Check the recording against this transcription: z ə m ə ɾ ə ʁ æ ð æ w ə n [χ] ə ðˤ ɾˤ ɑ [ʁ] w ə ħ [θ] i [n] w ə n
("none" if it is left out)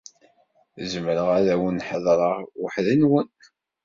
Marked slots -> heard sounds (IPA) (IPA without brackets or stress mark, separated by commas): ħ, ʁ, ð, n